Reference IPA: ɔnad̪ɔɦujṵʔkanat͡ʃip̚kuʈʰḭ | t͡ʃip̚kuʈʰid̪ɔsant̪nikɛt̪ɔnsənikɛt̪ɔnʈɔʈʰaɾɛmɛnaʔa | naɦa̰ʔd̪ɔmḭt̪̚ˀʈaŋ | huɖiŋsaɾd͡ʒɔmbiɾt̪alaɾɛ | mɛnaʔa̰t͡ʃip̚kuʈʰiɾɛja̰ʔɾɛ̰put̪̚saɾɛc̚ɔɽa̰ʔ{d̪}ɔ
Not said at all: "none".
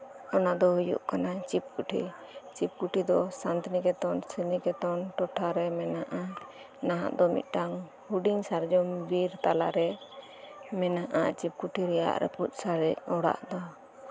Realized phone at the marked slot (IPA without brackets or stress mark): d̪